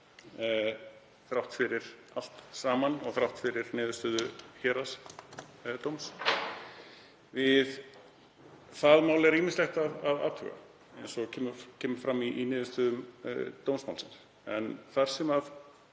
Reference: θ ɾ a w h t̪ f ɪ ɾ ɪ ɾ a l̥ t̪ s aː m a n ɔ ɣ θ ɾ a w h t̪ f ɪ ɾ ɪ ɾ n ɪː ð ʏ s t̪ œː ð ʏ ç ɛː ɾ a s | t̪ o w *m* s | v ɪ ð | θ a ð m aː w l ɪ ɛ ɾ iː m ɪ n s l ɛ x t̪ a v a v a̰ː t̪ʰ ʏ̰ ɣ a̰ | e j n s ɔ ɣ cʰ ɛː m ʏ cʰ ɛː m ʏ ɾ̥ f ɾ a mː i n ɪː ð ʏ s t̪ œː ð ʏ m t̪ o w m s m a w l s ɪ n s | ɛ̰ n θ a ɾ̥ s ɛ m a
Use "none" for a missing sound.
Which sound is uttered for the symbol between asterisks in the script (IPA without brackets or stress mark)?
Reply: m